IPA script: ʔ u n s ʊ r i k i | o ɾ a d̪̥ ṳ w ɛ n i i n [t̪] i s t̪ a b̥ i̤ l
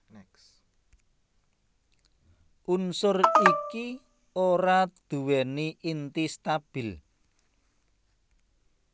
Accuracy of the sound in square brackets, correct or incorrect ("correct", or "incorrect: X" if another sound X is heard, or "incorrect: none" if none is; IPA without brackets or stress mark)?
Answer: correct